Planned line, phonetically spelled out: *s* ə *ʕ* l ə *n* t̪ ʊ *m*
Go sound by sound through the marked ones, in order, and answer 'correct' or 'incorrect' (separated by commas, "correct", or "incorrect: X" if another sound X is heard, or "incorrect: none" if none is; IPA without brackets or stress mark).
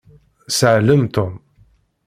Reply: correct, correct, incorrect: m, correct